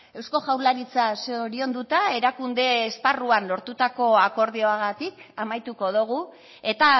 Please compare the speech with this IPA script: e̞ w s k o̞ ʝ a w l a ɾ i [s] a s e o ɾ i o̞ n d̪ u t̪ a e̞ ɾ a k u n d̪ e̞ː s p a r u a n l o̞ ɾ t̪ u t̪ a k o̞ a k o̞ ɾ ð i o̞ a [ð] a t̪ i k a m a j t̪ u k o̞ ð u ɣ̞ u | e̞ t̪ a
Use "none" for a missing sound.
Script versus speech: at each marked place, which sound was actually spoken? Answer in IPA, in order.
t͡s, ɣ

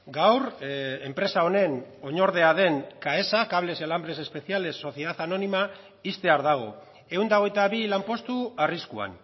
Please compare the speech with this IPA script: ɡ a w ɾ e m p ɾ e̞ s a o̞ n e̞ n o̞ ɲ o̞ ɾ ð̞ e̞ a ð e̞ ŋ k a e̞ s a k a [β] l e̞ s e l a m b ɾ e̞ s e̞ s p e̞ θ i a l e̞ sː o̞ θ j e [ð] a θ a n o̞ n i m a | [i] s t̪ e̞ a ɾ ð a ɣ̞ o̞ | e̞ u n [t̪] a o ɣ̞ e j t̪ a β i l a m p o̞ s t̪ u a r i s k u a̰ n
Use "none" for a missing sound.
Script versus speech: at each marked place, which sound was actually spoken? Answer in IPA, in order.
β, ð, i, d̪

